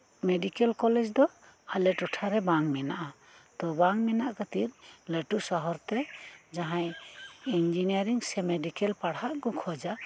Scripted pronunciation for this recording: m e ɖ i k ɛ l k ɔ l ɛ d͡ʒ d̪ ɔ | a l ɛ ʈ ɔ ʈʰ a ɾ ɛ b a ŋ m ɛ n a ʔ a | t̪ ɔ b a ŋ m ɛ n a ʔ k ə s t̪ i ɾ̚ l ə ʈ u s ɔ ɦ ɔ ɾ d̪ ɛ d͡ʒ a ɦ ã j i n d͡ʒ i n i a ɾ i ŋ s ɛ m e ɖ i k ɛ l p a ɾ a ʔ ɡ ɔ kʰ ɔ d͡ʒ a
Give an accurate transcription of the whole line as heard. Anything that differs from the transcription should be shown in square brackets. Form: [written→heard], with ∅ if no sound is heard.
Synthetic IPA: m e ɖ i k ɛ l k ɔ l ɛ d͡ʒ d̪ ɔ | a l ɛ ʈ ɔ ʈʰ a ɾ ɛ b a ŋ m ɛ n a ʔ a | t̪ ɔ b a ŋ m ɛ n a ʔ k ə [s→∅] t̪ i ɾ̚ l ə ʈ u s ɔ ɦ ɔ ɾ [d̪→t̪] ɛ d͡ʒ a ɦ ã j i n d͡ʒ i n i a ɾ i ŋ s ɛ m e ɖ i k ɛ l p a [ɾ→ɽ] a ʔ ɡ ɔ kʰ ɔ d͡ʒ a